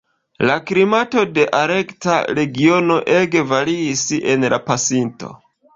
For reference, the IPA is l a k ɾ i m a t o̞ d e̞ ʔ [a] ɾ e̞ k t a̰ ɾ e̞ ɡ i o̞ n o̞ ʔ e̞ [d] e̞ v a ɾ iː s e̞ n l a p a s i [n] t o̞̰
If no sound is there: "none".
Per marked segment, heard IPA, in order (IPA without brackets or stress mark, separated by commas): a, ɡ, n